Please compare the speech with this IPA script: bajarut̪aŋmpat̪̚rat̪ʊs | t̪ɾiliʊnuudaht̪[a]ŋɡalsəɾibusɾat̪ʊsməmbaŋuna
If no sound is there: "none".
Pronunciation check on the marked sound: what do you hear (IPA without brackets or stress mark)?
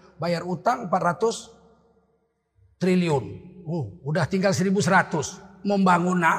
i